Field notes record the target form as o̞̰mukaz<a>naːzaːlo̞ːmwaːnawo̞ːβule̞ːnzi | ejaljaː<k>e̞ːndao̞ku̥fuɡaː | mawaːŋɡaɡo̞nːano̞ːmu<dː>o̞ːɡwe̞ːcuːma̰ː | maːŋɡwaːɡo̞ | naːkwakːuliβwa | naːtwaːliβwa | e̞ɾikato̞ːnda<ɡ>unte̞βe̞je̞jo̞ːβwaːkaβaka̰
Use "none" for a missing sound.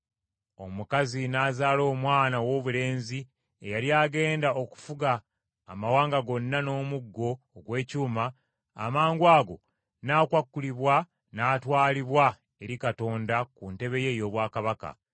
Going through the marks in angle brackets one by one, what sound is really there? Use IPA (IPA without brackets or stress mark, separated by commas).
i, ɡ, ɡː, k